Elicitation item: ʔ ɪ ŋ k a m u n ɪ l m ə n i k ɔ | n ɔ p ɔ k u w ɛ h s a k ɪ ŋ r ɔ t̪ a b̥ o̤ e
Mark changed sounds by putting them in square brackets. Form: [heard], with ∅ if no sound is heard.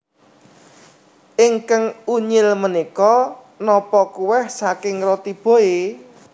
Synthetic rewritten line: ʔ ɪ ŋ k a [ŋ] u [ɲ] ɪ l m ə n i k ɔ | n ɔ p ɔ k u w ɛ h s a k ɪ ŋ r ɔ t̪ [i] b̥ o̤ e